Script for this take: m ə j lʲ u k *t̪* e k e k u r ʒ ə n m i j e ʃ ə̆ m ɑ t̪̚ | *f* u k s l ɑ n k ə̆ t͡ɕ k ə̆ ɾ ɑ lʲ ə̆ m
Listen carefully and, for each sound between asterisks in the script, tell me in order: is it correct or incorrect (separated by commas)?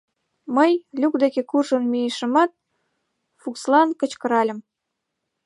incorrect, correct